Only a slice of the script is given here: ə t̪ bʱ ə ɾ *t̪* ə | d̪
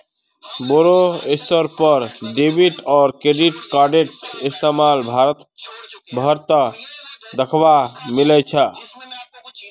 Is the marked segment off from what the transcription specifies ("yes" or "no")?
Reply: no